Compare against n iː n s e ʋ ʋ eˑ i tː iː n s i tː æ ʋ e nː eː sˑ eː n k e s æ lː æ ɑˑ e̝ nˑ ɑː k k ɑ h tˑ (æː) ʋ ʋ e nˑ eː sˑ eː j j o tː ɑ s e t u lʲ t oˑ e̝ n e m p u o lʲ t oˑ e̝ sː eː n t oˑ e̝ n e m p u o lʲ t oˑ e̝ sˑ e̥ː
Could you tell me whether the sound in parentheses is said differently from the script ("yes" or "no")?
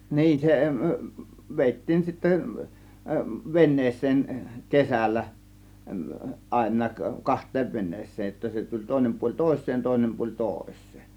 yes